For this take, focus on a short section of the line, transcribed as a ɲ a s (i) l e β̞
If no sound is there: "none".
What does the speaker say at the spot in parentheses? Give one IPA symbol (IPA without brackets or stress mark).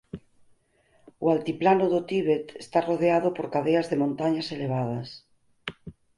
e